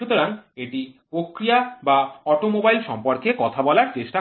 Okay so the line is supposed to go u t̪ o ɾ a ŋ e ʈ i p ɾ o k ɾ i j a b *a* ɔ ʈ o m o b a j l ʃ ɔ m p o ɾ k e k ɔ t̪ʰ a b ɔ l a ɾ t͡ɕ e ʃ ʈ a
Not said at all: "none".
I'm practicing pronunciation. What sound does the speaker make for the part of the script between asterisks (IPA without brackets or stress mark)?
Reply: a